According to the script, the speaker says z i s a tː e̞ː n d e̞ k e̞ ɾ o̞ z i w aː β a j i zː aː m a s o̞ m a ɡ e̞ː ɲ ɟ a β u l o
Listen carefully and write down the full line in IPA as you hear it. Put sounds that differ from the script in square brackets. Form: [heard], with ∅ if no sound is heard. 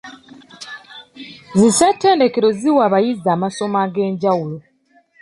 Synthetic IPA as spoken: z i s a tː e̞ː n d e̞ k e̞ ɾ o̞ z i w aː β a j i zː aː m a s o̞ m a ɡ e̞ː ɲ ɟ a [w] u l o